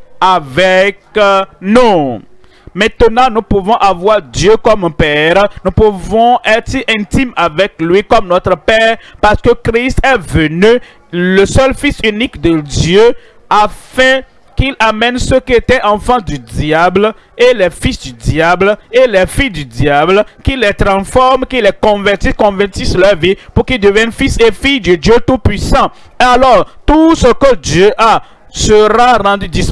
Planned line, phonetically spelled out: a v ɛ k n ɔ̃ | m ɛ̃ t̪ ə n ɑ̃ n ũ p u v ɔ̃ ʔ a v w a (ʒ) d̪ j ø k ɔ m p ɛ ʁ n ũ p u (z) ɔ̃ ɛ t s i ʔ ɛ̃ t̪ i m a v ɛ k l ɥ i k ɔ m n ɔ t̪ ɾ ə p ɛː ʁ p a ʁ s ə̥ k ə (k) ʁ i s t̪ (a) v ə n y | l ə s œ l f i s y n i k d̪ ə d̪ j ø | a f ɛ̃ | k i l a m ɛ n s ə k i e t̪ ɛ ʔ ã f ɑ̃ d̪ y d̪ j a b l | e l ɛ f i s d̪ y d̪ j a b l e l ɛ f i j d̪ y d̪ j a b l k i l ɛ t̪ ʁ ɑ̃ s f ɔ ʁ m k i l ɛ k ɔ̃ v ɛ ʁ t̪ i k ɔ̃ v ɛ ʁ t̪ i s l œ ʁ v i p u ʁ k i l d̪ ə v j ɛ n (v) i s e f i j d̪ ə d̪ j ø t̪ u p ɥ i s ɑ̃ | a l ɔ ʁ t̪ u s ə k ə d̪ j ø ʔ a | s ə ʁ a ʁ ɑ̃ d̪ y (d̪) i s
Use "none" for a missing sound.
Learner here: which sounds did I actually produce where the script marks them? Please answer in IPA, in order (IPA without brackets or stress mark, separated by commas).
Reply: ʁ, v, k, ɛ, f, d̪